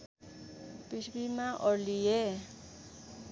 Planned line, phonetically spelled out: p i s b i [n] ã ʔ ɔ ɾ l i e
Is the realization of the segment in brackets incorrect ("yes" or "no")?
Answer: yes